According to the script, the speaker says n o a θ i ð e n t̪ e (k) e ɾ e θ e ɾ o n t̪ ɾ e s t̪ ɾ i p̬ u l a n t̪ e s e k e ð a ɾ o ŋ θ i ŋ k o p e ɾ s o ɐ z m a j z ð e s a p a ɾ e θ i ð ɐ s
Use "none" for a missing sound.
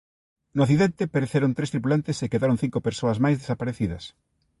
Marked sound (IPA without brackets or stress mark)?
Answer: p